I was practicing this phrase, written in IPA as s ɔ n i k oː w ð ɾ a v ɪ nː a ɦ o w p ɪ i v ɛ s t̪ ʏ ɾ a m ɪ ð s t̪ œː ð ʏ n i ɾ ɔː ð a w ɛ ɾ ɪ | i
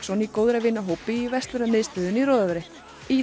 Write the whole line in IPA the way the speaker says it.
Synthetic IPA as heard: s ɔ n i k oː w ð ɾ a v ɪ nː a ɦ o w p ɪ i v ɛ s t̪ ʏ ɾ a m ɪ ð s t̪ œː ð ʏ n i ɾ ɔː ð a v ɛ ɾ ɪ | i